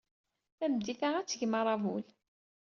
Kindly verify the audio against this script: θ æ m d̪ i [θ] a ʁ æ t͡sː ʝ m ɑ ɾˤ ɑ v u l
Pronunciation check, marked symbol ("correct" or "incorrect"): correct